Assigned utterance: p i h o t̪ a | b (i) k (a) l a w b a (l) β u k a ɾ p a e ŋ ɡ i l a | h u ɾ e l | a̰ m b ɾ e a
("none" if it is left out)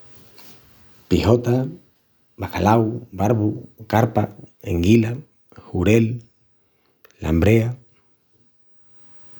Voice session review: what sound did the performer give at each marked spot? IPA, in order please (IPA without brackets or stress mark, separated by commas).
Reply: a, a, ɾ